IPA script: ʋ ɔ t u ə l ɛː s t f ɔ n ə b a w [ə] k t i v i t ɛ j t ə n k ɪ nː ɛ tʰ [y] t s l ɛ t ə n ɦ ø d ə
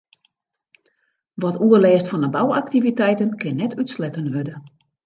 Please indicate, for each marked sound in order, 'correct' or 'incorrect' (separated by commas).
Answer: incorrect, correct